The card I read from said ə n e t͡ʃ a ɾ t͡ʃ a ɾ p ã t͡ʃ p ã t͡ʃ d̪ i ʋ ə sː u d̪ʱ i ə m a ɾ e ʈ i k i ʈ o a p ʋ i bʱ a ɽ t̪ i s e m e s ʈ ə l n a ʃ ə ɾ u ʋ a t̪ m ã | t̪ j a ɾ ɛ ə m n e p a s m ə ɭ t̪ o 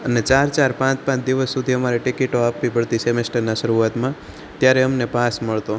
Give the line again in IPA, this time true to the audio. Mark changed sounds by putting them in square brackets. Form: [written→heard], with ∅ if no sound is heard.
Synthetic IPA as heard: ə n e t͡ʃ a ɾ t͡ʃ a ɾ p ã t͡ʃ p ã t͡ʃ d̪ i ʋ ə sː u d̪ʱ i ə m a ɾ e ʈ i k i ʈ o a p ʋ i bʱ [a→ə] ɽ t̪ i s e m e s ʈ ə [l→ɾ] n a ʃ ə ɾ u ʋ a t̪ m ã | t̪ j a ɾ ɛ ə m n e p a s m ə ɭ t̪ o